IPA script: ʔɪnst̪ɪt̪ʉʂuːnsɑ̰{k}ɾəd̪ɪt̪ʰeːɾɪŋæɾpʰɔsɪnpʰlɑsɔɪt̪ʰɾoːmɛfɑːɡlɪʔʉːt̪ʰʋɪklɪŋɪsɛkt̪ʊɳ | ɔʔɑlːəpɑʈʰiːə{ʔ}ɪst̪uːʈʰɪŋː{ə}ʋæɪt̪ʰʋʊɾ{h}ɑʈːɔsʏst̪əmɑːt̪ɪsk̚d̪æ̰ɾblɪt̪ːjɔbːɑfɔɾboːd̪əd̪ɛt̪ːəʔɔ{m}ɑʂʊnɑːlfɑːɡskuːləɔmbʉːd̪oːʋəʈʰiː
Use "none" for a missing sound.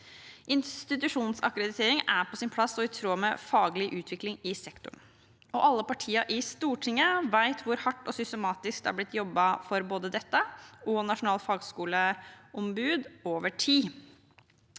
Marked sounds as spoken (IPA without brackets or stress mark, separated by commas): k, ʔ, ə, h, n